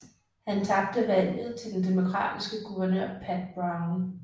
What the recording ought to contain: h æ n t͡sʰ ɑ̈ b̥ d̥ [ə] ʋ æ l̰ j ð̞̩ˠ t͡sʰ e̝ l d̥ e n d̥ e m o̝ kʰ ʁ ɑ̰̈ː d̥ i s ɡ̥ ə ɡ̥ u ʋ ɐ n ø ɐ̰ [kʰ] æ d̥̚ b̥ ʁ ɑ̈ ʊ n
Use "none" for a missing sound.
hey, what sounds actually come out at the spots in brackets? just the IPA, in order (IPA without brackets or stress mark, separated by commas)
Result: ə, pʰ